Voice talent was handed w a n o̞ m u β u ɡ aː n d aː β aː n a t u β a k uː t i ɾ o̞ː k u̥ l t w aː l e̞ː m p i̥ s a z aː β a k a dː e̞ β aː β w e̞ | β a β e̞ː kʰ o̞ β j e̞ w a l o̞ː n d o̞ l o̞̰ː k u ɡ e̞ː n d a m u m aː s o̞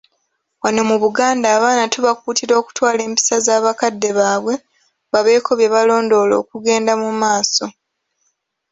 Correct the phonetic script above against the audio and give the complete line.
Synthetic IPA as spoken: w a n o̞ m u β u ɡ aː n d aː β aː n a t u β a k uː t i ɾ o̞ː k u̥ t w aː l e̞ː m p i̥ s a z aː β a k a dː e̞ β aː β w e̞ | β a β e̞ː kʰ o̞ β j e̞ β a l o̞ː n d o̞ l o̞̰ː k u ɡ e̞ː n d a m u m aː s o̞

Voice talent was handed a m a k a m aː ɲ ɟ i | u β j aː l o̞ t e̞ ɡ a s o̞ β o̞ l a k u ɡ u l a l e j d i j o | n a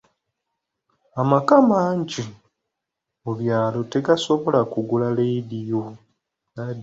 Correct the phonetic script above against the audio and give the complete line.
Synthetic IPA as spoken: a m a k a m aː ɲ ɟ i | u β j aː l o̞ t e̞ ɡ a s o̞ β o̞ l a k u ɡ u l a l e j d i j o | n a

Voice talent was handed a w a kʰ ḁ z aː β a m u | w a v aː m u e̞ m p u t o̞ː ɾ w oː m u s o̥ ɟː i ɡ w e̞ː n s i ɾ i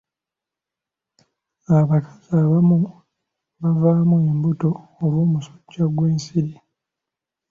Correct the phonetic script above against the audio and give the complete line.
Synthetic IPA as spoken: a β a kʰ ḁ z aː β a m u | β a v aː m u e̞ m b u t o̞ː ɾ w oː m u s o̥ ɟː a ɡ w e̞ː n s i ɾ i

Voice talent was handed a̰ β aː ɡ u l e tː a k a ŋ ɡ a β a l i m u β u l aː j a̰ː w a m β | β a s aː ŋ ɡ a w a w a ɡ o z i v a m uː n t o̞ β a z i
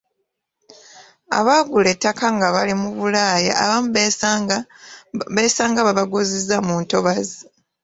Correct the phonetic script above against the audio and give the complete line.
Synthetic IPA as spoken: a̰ β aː ɡ u l e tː a k a ŋ ɡ a β a l i m u β u l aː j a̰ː β a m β | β e s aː ŋ ɡ a β a β a ɡ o z i z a m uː n t o̞ β a z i

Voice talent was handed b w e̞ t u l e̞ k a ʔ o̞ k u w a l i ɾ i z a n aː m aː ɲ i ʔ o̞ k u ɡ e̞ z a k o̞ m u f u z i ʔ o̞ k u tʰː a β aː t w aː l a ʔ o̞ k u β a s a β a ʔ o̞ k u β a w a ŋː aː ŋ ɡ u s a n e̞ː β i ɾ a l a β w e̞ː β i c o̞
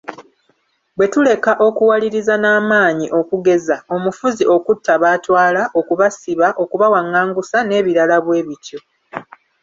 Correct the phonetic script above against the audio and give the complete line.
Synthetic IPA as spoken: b w e̞ t u l e̞ k a ʔ o̞ k u w a l i ɾ i z a n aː m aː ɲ i ʔ o̞ k u ɡ e̞ z a o̞ m u f u z i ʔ o̞ k u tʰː a β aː t w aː l a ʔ o̞ k u β a s i β a ʔ o̞ k u β a w a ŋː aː ŋ ɡ u s a n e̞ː β i ɾ a l a β w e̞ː β i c o̞

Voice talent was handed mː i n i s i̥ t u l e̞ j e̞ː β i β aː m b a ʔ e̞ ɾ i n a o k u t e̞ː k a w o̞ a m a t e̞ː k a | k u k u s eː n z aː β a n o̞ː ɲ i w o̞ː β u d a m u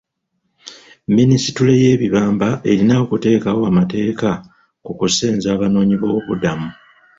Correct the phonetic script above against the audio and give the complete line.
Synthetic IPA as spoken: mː i n i s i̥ t u l e̞ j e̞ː β i β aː m b a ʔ e̞ ɾ i n a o k u t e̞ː k a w o̞ a m a t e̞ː k a | k u k u s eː n z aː β a n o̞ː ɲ i β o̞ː β u d a m u

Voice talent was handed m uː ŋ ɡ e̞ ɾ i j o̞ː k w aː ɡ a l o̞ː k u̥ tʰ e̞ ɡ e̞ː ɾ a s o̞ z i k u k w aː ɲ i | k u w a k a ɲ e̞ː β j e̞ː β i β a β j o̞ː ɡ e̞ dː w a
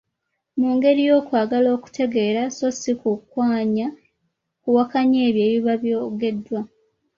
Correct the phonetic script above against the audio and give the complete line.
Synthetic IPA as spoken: m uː ŋ ɡ e̞ ɾ i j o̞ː k w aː ɡ a l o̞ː k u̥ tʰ e̞ ɡ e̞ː ɾ a s o̞ s i k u k w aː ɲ a | k u w a k a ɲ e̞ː β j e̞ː β i β a β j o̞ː ɡ e̞ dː w a

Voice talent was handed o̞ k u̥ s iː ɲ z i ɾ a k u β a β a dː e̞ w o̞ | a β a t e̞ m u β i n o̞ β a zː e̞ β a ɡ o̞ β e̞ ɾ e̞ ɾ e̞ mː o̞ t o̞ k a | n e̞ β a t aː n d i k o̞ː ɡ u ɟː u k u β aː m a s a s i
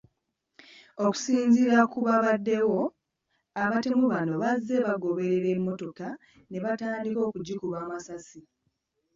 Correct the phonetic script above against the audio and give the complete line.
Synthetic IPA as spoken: o̞ k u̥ s iː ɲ z i ɾ a k u β a β a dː e̞ w o̞ | a β a t e̞ m u β a n o̞ β a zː e̞ β a ɡ o̞ β e̞ ɾ e̞ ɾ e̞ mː o̞ t o̞ k a | n e̞ β a t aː n d i k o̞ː k u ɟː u k u β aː m a s a s i

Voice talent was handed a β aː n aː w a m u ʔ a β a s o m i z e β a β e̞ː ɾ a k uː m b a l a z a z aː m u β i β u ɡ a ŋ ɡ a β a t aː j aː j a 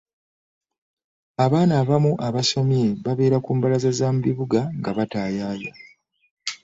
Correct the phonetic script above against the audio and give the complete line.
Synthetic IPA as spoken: a β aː n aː β a m u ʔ a β a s o m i e β a β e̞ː ɾ a k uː m b a l a z a z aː m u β i β u ɡ a ŋ ɡ a β a t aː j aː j a

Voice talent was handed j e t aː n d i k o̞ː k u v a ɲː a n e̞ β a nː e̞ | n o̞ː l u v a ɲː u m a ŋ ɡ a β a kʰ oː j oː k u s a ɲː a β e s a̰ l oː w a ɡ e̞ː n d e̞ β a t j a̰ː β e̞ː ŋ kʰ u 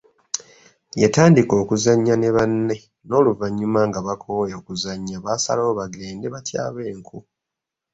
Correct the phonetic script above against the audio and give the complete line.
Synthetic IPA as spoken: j e t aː n d i k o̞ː k u z a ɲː a n e̞ β a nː e̞ | n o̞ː l u v a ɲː u m a ŋ ɡ a β a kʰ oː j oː k u z a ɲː a β a s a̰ l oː β a ɡ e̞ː n d e̞ β a t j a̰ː β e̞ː ŋ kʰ u

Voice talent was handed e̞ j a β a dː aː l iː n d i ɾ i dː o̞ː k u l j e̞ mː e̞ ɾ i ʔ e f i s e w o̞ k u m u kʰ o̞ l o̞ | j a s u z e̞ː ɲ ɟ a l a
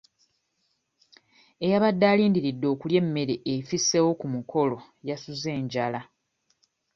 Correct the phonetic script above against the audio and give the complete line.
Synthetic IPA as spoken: e̞ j a β a dː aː l iː n d i ɾ i dː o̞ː k u l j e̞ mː e̞ ɾ e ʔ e f i s e w o̞ k u m u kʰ o̞ l o̞ | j a s u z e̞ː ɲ ɟ a l a

